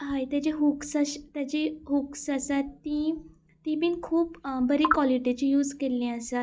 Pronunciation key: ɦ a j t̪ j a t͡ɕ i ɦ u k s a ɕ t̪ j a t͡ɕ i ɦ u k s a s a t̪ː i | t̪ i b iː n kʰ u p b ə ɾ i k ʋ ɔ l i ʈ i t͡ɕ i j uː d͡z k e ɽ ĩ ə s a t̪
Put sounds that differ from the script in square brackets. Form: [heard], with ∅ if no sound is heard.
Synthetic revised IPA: ɦ a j t̪ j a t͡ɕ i ɦ u k s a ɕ t̪ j a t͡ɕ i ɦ u k s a s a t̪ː i | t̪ i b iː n kʰ [uː] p b ə ɾ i k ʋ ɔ l i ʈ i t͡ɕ i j uː d͡z k e [l] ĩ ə s a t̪